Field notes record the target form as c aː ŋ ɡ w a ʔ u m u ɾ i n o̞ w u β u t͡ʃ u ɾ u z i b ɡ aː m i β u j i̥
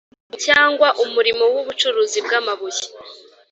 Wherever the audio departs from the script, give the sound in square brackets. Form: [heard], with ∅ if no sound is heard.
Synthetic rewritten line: c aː ŋ ɡ w a ʔ u m u ɾ i [m] o̞ w u β u t͡ʃ u ɾ u z i b ɡ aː m [a] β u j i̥